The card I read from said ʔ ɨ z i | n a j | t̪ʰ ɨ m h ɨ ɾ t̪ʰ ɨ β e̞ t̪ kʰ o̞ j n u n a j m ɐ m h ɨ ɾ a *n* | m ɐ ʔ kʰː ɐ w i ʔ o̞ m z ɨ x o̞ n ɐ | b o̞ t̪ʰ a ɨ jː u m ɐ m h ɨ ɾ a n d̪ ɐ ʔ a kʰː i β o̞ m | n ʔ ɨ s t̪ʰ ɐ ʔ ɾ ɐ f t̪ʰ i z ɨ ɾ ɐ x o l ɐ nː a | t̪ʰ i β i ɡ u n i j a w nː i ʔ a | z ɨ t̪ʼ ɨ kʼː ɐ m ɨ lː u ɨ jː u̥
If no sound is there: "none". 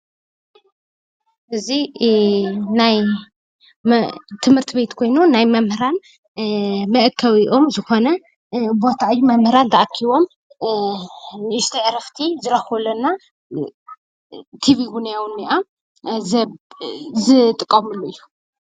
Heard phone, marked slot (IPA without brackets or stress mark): n